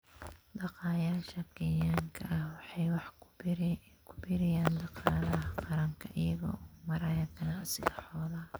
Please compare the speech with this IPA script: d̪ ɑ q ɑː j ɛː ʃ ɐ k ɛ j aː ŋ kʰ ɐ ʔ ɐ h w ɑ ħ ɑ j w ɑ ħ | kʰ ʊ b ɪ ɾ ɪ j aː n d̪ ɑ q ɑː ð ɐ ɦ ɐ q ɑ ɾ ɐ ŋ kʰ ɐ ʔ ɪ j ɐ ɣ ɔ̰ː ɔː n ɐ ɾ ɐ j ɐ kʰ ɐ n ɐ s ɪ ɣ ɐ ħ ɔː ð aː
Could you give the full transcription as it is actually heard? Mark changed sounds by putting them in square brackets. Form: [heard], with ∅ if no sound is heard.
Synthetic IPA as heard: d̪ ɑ q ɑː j [aː] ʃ ɐ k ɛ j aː ŋ kʰ ɐ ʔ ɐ h w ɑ ħ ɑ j w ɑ ħ | kʰ ʊ b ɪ ɾ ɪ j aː n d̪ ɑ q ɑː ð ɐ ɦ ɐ q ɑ ɾ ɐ ŋ kʰ ɐ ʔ ɪ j ɐ ɣ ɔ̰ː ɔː [m] ɐ ɾ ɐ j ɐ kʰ ɐ n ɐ s ɪ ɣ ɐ ħ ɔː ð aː